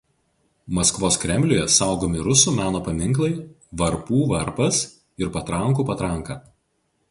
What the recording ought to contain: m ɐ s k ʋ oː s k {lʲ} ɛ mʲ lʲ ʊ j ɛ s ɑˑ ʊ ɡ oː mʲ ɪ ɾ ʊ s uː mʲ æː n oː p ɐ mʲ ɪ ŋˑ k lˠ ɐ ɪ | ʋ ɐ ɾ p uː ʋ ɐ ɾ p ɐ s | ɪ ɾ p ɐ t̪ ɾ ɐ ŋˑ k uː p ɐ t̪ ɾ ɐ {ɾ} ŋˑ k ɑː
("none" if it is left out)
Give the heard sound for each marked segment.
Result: ɾʲ, none

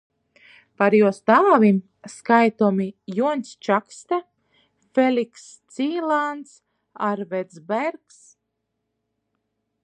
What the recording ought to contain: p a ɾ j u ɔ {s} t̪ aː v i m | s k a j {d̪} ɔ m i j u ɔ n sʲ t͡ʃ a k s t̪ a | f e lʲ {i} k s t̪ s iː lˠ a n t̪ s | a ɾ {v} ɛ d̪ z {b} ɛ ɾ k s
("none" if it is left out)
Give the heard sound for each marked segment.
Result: s, t̪, i, v, b

